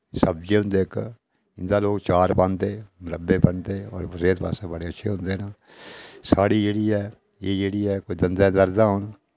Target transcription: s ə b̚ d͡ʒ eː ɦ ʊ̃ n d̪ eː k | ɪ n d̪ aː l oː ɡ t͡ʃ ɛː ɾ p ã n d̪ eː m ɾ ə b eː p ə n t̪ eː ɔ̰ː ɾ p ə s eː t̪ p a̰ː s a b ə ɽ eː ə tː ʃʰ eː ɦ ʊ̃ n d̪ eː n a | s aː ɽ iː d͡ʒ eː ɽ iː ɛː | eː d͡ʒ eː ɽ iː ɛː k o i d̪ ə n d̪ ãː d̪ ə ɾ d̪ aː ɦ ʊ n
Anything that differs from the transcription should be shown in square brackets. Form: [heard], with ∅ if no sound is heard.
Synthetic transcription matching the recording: s ə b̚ d͡ʒ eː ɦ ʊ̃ n d̪ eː k | ɪ n d̪ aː l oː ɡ t͡ʃ [aː] ɾ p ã n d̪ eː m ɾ ə b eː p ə n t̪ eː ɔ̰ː ɾ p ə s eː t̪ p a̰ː s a b ə ɽ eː ə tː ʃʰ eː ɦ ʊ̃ n d̪ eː n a | s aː ɽ iː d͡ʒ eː ɽ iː ɛː | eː d͡ʒ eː ɽ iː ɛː k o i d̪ ə n d̪ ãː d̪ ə ɾ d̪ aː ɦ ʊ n